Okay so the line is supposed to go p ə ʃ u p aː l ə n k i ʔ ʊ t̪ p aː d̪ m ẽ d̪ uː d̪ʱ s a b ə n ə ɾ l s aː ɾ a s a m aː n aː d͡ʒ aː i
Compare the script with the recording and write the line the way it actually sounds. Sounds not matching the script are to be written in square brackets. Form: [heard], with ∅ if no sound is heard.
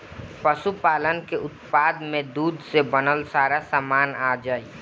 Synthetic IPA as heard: p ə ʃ u p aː l ə n k [e] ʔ ʊ t̪ p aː d̪ m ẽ d̪ uː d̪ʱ s [e] b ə n ə [∅] l s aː ɾ a s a m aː n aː d͡ʒ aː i